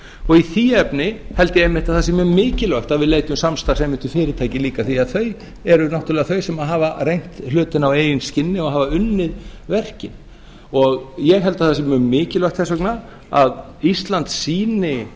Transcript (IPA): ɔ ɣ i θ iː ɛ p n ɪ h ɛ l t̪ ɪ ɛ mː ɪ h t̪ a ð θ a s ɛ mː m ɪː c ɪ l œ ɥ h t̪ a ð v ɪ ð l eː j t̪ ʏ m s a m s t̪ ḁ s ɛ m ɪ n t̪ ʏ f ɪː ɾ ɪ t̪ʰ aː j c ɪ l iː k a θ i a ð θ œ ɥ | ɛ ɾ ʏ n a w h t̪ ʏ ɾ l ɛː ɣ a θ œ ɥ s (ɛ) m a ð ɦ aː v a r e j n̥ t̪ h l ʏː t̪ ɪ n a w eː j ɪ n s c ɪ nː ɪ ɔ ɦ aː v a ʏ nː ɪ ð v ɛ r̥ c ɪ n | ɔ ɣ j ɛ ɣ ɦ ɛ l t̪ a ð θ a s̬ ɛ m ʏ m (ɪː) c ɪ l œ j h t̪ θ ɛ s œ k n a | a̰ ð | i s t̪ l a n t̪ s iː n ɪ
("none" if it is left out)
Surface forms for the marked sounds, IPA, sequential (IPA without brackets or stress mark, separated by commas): ɛ, ɪː